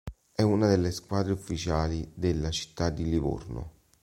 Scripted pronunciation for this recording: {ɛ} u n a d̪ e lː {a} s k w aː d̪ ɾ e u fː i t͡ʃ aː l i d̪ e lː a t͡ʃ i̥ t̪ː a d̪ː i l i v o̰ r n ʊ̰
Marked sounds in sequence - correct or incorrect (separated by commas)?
correct, incorrect